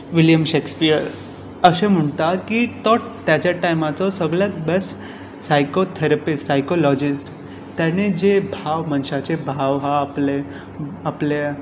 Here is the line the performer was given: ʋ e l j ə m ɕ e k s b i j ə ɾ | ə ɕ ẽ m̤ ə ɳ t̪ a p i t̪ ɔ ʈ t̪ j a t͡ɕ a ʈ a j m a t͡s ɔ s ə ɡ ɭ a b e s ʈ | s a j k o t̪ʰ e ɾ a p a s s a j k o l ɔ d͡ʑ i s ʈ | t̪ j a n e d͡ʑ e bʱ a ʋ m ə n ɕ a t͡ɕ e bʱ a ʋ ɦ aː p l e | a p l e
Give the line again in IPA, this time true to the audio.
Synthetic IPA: ʋ i l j ə m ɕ e k s p i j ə ɾ | ə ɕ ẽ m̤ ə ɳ t̪ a k i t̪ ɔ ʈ t̪ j a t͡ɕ a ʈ a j m a t͡s ɔ s ə ɡ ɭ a b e s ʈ | s a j k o t̪ʰ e ɾ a p i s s a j k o l ɔ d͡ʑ i s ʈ | t̪ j a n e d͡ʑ e bʱ a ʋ m ə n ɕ a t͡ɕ e bʱ a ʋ ɦ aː p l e | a p l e